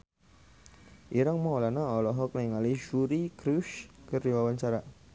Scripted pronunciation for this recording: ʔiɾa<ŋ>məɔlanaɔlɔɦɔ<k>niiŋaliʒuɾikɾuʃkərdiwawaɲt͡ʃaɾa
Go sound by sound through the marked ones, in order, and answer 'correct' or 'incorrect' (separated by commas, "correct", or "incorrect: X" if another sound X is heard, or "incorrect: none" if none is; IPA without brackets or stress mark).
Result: correct, correct